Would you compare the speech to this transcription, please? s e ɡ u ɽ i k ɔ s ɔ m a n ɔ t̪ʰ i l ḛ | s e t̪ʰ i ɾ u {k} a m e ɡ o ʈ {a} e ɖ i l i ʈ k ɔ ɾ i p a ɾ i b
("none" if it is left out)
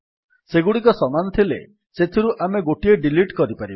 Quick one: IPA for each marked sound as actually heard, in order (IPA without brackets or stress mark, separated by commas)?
ʔ, i